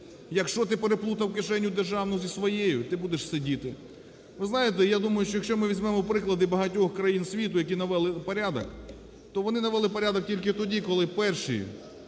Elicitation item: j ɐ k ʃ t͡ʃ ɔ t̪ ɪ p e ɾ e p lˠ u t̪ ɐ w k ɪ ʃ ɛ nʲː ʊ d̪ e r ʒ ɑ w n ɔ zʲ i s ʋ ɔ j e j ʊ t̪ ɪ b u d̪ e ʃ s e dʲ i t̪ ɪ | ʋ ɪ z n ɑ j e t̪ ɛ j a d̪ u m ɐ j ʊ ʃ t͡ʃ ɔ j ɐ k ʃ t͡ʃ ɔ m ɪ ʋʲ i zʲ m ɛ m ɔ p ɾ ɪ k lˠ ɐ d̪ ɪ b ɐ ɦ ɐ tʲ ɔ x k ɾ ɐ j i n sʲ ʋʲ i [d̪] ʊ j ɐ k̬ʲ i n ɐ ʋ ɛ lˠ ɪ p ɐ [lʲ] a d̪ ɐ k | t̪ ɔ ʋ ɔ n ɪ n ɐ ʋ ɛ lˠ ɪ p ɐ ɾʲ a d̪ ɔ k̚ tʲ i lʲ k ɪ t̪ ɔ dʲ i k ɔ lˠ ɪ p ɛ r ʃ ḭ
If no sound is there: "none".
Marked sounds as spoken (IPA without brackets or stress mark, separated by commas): t̪, ɾʲ